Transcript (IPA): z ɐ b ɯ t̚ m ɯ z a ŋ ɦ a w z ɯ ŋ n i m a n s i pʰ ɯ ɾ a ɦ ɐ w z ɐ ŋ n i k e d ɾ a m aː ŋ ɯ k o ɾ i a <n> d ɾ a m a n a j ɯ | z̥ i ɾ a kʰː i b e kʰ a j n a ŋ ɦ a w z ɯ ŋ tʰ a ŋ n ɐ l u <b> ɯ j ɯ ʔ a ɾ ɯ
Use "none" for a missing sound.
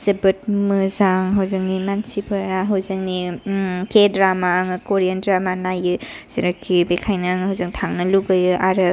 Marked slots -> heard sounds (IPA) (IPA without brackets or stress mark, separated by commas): n, ɡ